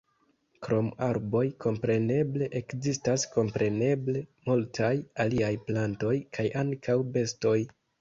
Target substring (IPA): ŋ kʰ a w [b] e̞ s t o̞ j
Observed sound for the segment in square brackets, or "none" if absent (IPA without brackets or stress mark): b